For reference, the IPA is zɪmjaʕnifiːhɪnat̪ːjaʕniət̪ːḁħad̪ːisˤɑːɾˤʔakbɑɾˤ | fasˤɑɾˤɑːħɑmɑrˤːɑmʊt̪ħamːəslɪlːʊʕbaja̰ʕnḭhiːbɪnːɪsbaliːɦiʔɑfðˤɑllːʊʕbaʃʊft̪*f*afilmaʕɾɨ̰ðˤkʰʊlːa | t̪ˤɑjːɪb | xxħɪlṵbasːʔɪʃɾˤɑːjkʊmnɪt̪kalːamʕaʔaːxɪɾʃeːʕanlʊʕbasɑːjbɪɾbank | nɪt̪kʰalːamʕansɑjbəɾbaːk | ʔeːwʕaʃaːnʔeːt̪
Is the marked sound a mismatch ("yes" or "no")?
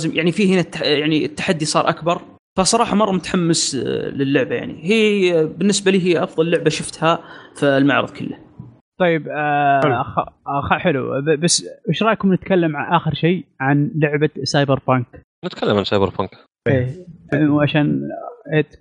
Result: yes